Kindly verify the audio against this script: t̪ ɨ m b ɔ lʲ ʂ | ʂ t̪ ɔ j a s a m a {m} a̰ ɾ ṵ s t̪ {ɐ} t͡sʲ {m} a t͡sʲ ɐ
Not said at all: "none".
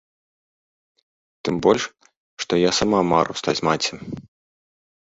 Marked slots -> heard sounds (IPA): m, a, m

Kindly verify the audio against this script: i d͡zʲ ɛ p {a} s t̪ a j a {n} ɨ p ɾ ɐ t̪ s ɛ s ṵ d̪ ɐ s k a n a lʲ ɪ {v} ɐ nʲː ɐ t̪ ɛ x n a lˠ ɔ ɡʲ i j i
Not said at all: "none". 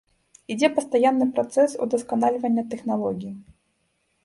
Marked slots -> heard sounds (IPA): ɐ, nː, v

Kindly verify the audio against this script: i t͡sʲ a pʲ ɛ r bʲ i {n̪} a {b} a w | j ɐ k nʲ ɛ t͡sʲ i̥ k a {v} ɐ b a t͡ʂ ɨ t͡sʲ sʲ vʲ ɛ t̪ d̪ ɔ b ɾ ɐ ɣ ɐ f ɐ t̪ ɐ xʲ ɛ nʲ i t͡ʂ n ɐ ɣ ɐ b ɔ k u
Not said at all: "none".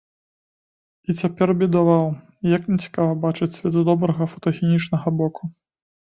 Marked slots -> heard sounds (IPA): d̪, v, v

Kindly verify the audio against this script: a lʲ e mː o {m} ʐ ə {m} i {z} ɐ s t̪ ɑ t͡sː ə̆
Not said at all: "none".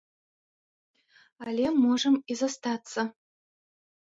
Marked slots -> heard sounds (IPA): none, m, z

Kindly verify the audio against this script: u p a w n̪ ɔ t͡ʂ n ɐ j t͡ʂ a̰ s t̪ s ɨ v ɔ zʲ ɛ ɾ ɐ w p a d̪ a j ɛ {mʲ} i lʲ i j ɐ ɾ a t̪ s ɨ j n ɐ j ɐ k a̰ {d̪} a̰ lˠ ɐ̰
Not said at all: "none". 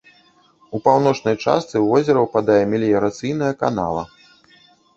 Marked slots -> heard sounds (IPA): mʲ, n̪

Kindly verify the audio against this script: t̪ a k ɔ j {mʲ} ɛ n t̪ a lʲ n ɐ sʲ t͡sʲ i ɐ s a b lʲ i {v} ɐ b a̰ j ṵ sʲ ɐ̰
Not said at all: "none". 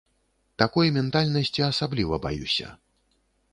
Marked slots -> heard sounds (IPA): mʲ, v

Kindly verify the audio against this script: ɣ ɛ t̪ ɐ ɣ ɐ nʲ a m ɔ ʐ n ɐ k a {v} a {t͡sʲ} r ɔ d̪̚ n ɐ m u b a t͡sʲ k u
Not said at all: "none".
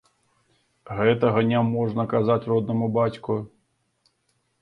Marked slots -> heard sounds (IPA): z, t͡sʲ

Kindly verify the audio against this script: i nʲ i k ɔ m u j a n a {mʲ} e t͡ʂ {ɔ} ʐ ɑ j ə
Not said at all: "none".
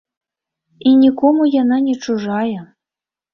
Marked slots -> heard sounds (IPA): nʲ, u

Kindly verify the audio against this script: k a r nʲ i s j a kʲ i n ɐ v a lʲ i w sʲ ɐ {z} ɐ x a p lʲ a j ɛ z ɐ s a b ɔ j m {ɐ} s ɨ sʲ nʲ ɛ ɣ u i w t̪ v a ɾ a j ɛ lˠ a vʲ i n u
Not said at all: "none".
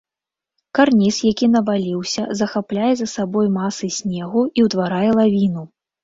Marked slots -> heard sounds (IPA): z, a

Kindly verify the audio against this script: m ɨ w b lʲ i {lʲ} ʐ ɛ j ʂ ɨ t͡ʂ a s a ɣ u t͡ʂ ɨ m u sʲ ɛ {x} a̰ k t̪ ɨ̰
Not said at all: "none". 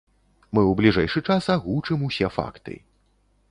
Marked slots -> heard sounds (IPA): none, f

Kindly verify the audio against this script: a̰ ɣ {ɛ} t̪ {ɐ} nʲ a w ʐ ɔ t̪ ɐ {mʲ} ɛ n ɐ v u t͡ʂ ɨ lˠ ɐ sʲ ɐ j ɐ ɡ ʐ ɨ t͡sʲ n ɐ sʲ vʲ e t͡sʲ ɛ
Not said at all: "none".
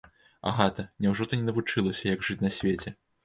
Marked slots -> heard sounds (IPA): a, ɐ, nʲ

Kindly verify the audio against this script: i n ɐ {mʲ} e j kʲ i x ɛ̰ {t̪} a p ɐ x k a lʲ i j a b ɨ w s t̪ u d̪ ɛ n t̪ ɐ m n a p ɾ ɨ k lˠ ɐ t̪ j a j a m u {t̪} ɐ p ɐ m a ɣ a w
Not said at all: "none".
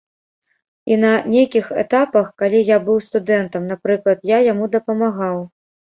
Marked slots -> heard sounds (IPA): nʲ, t̪, d̪

